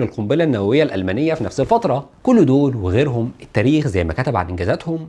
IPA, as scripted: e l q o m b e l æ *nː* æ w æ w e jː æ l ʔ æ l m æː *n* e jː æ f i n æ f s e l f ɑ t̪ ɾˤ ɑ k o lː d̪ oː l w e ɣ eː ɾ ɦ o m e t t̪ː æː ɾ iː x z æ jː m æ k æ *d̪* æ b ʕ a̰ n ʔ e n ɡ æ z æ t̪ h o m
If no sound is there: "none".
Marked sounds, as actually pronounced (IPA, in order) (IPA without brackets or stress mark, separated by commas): nː, n, t̪